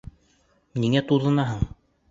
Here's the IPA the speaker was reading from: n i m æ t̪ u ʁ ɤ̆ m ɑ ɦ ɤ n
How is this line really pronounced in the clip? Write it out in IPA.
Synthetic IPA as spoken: n i ŋ æ t̪ u ð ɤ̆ n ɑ ɦ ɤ ɴ